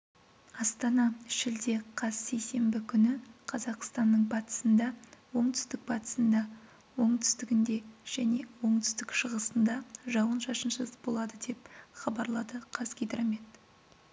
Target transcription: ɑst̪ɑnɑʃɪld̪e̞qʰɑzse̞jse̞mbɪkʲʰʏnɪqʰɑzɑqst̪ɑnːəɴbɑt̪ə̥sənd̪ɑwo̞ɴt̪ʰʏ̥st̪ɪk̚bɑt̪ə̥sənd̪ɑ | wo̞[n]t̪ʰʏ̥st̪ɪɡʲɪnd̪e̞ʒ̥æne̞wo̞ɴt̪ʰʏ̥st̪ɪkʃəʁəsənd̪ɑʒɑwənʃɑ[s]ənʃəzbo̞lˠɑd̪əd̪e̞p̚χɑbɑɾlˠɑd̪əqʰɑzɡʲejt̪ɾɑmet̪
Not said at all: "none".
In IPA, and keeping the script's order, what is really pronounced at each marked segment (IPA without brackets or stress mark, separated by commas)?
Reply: ɴ, ʃ